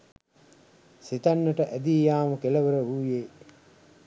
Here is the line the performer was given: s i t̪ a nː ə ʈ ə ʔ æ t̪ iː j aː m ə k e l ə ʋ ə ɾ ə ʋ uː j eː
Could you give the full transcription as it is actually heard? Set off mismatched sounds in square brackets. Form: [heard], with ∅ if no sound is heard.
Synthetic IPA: s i t̪ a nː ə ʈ ə ʔ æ [d̪] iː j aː m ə k e l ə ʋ ə ɾ ə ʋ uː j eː